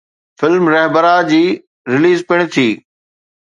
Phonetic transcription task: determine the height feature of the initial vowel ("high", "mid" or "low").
high